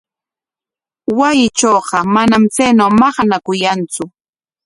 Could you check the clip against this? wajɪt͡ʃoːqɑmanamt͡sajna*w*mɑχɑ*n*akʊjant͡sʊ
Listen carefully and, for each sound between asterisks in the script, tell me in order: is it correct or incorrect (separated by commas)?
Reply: correct, correct